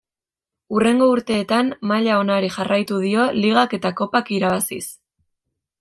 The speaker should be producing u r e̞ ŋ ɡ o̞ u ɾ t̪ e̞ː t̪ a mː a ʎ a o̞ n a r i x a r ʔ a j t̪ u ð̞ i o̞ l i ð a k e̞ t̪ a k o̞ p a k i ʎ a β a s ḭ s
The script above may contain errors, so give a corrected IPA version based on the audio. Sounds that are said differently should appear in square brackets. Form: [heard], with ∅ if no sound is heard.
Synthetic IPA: u r e̞ ŋ ɡ o̞ u ɾ t̪ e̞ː t̪ a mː a ʎ a o̞ n a [ɾ] i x a r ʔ a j t̪ u ð̞ i o̞ l i [ɣ] a k e̞ t̪ a k o̞ p a k i [ɾ] a β a s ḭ s